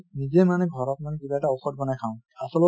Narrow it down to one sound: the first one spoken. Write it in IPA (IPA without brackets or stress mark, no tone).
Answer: n